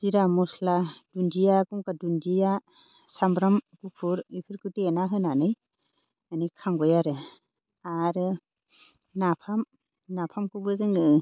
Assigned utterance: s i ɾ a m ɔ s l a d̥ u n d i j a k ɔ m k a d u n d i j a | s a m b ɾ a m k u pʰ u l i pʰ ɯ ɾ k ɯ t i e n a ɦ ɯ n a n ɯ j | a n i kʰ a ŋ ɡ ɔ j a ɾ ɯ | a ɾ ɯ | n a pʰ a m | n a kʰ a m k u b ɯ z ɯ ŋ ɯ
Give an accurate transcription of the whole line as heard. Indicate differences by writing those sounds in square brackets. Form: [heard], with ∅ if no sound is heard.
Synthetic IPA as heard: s i ɾ a m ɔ s l a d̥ u n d i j a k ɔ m k a d u n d i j a | s a m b ɾ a m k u pʰ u [ɾ] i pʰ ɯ ɾ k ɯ t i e n a ɦ ɯ n a n ɯ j | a n i kʰ a ŋ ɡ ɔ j a ɾ ɯ | a ɾ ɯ | n a pʰ a m | n a [pʰ] a m k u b ɯ z ɯ ŋ ɯ